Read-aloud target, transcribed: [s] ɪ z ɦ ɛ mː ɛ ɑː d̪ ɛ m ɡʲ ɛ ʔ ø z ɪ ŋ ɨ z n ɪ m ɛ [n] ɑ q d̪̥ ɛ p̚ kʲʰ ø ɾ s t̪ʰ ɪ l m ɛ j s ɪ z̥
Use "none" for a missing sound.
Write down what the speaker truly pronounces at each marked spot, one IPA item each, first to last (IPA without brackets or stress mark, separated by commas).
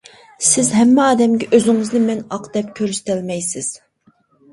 s, n